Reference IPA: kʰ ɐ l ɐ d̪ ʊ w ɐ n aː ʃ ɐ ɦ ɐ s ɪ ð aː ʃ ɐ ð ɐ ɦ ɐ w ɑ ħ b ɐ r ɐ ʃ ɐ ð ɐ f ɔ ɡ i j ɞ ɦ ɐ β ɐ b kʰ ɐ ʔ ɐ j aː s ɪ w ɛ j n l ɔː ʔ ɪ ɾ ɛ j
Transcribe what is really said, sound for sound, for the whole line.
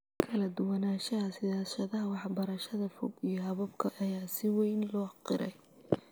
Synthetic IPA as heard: kʰ ɐ l ɐ d̪ ʊ w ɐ n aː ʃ ɐ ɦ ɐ s ɪ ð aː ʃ ɐ ð ɐ ɦ ɐ w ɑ ħ b ɐ ɾ ɐ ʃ ɐ ð ɐ f ɔ ɡ i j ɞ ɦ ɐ β ɐ b kʰ ɐ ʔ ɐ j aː s ɪ w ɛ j n l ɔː q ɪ ɾ ɛ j